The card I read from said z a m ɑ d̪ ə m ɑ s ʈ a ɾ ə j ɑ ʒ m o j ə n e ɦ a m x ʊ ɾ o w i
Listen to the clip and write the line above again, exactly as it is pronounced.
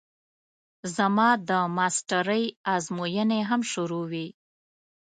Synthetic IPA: z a m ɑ d̪ ə m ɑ s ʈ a ɾ ə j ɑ z m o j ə n e ɦ a m ʃ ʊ ɾ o w i